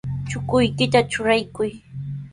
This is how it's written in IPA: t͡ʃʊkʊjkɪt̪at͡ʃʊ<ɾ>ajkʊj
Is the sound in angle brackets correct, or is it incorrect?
correct